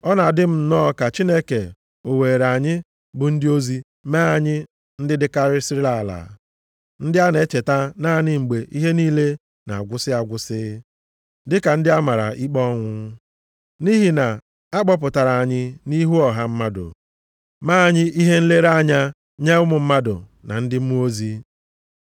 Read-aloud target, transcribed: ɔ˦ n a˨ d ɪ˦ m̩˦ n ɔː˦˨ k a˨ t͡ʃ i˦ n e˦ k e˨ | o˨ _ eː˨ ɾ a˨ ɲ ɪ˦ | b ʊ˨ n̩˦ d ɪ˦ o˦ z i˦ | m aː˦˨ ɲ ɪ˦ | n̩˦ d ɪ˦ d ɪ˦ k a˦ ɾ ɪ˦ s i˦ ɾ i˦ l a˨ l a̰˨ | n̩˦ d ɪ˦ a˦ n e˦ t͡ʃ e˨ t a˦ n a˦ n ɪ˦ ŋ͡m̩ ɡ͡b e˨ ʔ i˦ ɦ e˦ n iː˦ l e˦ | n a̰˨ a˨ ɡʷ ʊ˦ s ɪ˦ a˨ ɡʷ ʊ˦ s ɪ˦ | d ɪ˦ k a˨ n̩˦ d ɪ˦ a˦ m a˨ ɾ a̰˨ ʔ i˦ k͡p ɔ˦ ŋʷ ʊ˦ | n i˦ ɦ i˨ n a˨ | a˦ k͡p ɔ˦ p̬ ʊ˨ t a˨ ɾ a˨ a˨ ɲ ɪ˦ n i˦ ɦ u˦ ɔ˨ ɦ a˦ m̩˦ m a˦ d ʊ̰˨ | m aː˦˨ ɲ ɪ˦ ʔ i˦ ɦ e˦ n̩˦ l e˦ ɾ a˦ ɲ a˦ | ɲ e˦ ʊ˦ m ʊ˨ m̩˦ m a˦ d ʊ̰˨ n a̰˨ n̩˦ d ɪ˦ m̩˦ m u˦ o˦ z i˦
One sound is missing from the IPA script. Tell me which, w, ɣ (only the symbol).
w